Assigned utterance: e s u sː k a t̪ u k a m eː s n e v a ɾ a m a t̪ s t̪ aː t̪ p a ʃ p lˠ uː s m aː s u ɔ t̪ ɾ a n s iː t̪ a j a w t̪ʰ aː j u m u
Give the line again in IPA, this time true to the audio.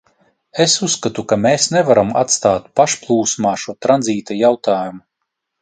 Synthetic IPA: e s u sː k a t̪ u k a m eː s n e v a ɾ a m a t̪ s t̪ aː t̪ p a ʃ p lˠ uː s m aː ʃ u ɔ t̪ ɾ a n z iː t̪ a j a w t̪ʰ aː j u m u

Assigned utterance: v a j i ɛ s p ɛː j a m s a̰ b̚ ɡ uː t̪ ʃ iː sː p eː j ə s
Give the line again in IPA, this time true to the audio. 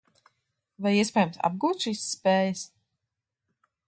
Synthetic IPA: v a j i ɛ s p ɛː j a m s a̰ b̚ ɡ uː t̪ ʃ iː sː p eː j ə s

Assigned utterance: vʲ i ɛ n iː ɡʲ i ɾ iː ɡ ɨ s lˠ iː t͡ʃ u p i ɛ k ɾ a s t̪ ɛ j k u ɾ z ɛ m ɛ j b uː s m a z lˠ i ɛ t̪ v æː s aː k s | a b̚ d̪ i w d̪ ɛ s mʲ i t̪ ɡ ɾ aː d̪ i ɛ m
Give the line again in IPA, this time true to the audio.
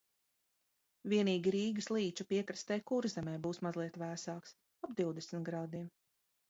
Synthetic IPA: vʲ i ɛ n iː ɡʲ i ɾ iː ɡ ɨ s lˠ iː t͡ʃ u p i ɛ k ɾ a s t̪ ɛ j k u ɾ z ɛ m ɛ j b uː s m a z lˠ i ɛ t̪ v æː s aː k s | a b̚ d̪ i w d̪ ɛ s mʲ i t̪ ɡ ɾ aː d̪ i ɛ m

